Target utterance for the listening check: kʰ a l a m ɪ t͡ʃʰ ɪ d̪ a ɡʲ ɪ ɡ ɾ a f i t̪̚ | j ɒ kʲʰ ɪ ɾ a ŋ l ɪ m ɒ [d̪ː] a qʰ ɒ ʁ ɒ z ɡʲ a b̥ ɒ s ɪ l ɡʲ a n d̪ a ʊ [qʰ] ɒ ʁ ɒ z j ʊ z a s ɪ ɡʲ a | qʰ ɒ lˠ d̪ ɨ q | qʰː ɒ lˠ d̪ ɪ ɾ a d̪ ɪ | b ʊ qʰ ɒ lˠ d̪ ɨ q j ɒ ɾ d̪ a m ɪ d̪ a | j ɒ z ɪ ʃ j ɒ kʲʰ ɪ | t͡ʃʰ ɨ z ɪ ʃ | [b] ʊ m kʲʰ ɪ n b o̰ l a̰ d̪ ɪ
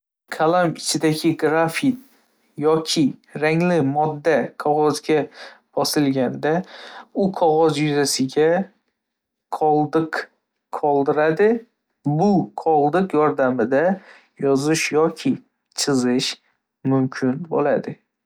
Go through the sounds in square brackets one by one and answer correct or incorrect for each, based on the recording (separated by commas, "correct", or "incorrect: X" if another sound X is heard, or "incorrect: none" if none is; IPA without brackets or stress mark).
correct, correct, incorrect: m